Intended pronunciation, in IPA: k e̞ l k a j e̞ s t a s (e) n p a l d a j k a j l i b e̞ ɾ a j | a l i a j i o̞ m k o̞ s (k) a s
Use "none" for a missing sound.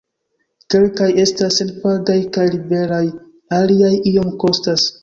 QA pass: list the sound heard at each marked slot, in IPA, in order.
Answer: e, t

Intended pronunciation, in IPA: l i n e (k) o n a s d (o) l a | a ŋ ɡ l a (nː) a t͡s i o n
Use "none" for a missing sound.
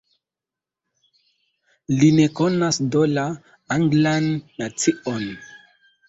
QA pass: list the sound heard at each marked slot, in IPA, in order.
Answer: k, o, nː

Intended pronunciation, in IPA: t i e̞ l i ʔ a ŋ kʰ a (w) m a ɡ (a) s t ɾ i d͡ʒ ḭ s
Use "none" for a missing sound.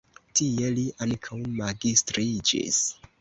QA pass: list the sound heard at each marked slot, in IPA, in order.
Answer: w, i

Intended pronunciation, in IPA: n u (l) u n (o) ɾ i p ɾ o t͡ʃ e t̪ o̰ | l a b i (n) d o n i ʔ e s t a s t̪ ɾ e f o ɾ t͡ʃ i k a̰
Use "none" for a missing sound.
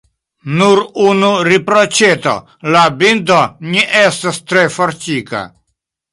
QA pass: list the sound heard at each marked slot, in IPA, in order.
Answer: ɾ, u, n

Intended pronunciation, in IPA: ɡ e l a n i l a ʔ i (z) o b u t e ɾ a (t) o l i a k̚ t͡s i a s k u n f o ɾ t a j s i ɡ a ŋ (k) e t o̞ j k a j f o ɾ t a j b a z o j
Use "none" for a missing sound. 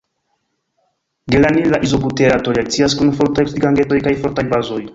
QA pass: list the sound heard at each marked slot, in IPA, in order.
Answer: z, t, ɡ

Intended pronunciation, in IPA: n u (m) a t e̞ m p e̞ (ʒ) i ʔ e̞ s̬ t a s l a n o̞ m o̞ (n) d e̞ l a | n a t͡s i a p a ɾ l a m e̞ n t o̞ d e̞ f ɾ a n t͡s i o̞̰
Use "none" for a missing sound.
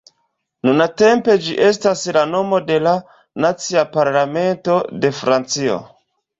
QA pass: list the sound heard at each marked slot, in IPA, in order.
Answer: n, d͡ʒ, none

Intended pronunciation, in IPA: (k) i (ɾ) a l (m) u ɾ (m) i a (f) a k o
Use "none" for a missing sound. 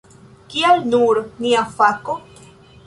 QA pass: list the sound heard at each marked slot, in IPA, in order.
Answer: k, none, n, n, f

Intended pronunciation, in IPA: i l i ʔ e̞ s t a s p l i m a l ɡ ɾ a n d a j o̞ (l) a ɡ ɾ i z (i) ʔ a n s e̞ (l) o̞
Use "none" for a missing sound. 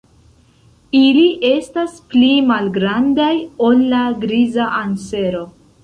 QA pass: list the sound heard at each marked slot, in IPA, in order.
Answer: lː, a, ɾ

